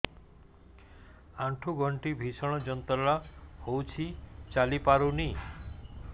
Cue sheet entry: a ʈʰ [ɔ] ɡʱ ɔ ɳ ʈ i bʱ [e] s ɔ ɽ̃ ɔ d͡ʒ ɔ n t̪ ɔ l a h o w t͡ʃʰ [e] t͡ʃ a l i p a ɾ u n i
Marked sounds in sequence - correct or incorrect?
incorrect, incorrect, incorrect

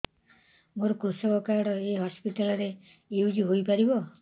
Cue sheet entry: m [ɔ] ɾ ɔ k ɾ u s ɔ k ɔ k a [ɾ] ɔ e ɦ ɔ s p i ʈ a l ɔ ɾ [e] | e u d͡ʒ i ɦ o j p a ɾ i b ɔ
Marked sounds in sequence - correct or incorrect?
incorrect, incorrect, correct

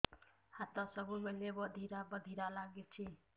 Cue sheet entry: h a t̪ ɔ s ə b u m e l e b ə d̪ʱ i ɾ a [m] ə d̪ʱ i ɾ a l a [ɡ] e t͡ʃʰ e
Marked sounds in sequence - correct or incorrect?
incorrect, correct

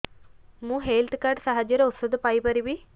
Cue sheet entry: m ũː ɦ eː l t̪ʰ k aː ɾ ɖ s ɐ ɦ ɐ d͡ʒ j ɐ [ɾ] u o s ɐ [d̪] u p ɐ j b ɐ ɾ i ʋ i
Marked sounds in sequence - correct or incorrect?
correct, correct

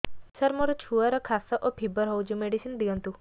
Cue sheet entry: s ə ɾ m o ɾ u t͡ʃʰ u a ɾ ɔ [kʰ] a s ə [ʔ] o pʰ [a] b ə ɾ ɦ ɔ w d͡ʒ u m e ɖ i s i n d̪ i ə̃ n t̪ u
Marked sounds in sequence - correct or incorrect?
correct, correct, incorrect

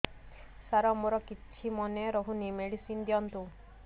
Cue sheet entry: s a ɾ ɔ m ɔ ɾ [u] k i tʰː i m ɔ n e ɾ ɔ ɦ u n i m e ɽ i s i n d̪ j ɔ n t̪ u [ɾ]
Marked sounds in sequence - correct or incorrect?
incorrect, incorrect

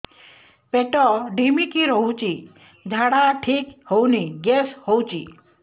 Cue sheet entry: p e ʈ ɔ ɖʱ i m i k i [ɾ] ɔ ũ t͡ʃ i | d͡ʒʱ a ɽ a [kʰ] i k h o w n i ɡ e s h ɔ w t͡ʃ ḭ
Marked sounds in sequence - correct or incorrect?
correct, incorrect

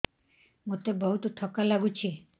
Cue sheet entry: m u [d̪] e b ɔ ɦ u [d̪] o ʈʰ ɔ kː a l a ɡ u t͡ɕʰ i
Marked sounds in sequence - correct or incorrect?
incorrect, incorrect

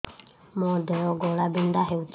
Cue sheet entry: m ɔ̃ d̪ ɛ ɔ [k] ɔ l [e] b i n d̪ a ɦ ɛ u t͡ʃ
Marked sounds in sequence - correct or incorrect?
incorrect, incorrect

